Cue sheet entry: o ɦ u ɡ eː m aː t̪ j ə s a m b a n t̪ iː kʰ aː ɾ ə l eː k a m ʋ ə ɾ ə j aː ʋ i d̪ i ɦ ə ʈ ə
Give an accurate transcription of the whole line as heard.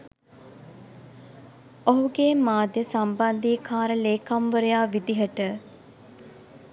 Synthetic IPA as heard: o ɦ u ɡ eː m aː d̪ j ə s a m b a n d̪ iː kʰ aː ɾ ə l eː k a m ʋ ə ɾ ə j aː ʋ i d̪ i ɦ ə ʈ ə